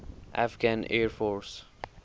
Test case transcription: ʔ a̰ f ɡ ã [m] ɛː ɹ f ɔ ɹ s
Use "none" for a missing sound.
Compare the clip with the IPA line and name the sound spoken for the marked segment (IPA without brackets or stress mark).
n